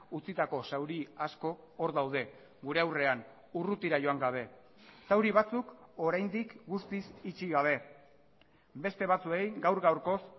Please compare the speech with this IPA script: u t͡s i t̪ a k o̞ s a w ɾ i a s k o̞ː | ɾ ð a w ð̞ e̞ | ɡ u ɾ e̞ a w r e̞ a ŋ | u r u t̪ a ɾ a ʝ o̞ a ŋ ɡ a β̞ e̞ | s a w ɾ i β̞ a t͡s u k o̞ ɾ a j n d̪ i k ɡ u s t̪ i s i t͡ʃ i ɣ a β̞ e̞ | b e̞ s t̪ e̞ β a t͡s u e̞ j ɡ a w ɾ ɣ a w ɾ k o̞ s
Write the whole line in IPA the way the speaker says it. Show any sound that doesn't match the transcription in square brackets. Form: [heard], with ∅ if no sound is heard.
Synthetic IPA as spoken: u t͡s i t̪ a k o̞ s a w ɾ i a s k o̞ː | ɾ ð a w ð̞ e̞ | ɡ u ɾ e̞ a w r e̞ a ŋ | u r u t̪ [i] ɾ a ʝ o̞ a ŋ ɡ a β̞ e̞ | s a w ɾ i β̞ a t͡s u k o̞ ɾ a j n d̪ i k ɡ u s t̪ i s i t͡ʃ i ɣ a β̞ e̞ | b e̞ s t̪ e̞ β a t͡s u e̞ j ɡ a w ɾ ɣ a w ɾ k o̞ s